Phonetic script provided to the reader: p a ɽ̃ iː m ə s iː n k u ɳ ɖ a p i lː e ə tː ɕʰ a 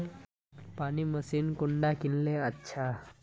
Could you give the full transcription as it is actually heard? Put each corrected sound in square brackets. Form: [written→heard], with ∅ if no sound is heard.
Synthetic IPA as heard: p a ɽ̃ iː m ə s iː n k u ɳ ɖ a [p→k] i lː e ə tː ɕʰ a